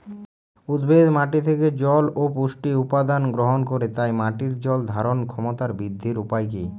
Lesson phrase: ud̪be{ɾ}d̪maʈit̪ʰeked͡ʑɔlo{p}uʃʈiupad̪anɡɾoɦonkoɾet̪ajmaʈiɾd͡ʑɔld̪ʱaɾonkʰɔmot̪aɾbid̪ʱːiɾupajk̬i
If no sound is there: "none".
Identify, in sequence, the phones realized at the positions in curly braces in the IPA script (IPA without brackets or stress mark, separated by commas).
none, p